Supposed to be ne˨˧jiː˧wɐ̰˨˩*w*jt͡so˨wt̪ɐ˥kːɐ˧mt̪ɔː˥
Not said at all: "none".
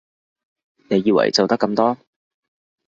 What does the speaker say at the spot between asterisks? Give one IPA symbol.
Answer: none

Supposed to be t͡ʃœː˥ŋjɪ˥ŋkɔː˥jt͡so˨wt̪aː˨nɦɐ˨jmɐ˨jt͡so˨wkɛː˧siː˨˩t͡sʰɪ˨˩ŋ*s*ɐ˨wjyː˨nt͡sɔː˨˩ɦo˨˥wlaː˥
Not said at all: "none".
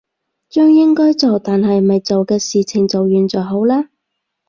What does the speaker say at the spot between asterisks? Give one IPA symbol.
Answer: t͡s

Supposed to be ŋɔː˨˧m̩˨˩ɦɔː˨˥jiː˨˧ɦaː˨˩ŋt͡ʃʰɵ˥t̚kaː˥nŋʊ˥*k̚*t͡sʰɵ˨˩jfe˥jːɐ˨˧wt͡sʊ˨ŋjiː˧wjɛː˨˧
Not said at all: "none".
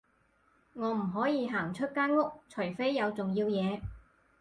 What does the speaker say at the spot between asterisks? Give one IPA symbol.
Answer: k̚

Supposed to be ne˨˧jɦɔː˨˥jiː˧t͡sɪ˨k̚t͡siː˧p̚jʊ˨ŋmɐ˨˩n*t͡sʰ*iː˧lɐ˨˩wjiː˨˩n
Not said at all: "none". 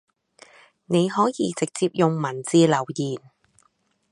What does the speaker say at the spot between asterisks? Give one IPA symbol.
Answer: t͡s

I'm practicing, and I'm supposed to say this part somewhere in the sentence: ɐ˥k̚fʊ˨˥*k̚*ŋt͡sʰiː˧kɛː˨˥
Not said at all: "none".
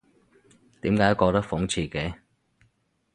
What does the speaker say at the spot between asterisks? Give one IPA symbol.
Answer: none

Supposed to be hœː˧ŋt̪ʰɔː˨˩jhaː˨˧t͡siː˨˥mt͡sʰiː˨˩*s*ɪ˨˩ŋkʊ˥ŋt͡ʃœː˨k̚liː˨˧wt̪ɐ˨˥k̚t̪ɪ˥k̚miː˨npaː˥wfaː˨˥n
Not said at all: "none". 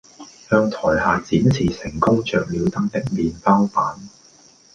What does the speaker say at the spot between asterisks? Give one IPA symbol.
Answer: s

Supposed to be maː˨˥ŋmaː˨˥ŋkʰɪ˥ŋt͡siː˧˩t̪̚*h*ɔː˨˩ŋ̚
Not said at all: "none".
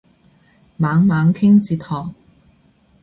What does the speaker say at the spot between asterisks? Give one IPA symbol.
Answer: h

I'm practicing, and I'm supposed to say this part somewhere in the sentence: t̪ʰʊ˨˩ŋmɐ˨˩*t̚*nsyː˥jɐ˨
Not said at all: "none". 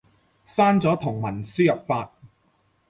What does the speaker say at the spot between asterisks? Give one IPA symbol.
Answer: none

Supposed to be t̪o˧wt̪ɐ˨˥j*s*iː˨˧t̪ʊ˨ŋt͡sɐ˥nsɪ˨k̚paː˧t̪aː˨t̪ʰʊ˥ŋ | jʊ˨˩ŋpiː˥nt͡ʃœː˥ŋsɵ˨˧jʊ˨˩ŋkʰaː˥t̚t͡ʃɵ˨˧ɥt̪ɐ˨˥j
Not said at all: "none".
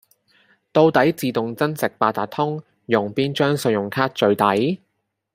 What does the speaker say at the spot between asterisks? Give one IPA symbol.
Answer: t͡s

